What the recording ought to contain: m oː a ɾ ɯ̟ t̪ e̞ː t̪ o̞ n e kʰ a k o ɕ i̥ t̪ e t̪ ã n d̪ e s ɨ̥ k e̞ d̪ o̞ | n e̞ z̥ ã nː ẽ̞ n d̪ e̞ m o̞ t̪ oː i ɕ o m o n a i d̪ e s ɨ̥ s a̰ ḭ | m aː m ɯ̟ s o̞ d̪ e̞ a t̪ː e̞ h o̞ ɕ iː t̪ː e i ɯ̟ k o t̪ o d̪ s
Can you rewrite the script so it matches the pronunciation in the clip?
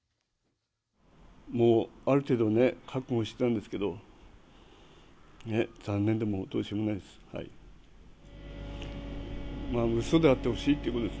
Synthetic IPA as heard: m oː a ɾ ɯ̟ t̪ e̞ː d̪ o̞ n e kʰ a k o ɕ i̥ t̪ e t̪ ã n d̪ e s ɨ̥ k e̞ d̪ o̞ | n e̞ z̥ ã nː ẽ̞ n d̪ e̞ m o̞ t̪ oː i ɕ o m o n a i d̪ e s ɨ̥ h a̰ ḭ | m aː m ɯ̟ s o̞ d̪ e̞ a t̪ː e̞ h o̞ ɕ iː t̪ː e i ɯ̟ k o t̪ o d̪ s